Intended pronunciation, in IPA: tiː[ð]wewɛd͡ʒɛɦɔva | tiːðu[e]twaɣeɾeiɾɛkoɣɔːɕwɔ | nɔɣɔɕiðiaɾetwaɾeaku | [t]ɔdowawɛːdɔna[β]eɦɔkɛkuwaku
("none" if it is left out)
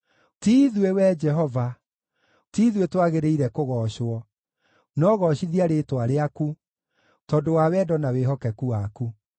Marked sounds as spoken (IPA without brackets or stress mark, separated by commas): ð, e, t, w